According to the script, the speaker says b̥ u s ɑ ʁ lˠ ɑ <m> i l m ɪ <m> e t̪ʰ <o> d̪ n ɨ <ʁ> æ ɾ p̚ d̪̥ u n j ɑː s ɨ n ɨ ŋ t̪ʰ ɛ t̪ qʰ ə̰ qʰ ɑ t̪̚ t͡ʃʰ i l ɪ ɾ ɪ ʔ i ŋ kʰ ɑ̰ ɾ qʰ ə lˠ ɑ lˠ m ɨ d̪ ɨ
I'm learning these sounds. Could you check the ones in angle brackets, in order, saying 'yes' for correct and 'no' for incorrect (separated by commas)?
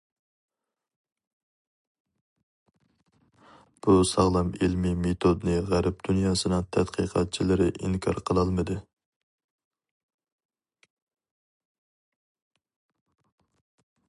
yes, yes, yes, yes